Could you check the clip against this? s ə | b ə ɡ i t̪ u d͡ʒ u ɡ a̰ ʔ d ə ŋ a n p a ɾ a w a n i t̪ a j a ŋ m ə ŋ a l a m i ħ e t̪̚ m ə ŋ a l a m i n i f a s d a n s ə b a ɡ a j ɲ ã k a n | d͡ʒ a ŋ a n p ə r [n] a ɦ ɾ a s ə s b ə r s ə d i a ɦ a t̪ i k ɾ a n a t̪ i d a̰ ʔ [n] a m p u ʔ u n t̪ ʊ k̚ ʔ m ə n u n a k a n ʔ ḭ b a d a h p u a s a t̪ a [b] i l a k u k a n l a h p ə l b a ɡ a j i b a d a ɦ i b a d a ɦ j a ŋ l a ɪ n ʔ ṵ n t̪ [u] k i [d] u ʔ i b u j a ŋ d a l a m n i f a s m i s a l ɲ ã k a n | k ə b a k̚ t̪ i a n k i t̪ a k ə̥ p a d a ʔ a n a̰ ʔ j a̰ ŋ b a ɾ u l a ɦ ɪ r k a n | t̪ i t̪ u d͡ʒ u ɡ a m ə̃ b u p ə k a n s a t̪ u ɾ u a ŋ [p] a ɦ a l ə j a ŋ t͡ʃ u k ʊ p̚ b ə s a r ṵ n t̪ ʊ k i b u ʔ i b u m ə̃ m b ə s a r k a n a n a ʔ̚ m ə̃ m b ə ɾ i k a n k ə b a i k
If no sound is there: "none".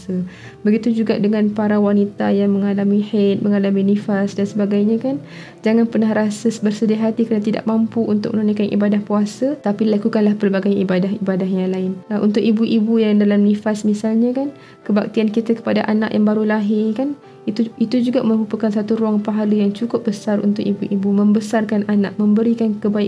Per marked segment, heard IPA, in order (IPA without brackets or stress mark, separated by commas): n, m, p, ʊ, b, p